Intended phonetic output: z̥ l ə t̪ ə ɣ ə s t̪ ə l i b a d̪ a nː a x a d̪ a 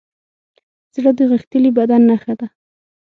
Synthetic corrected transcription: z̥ ɽ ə d̪ ə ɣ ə x t̪ ə l i b a d̪ a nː a x a d̪ a